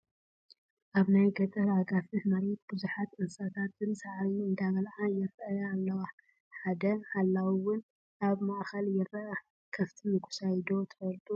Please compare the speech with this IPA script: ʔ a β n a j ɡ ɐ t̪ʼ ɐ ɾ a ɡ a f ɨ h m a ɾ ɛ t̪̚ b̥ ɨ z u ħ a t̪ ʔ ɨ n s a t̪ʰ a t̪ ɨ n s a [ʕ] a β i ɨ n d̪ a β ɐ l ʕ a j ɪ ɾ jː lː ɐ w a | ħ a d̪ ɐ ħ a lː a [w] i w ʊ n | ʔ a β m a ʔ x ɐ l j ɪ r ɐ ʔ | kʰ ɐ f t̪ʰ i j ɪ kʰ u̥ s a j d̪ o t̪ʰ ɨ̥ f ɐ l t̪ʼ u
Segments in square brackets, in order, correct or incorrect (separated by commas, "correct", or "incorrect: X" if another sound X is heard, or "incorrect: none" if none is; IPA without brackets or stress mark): correct, correct